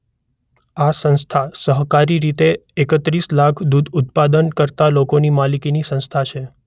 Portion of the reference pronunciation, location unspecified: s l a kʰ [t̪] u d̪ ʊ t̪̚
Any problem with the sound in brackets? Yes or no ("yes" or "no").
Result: yes